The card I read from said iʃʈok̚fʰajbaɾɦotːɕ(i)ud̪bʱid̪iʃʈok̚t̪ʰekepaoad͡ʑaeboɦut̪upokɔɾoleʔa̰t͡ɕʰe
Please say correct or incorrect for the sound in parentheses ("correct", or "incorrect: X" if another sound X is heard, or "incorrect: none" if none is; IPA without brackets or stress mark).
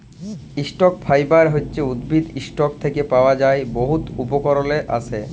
incorrect: e